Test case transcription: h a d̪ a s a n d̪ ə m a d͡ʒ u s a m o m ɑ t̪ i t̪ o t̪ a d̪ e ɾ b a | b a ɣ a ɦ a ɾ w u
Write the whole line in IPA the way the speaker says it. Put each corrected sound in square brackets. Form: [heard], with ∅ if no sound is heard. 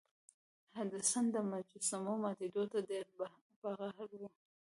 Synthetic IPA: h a d̪ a s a n d̪ ə m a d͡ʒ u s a m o m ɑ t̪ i [d̪] o t̪ a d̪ e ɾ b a | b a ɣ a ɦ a ɾ w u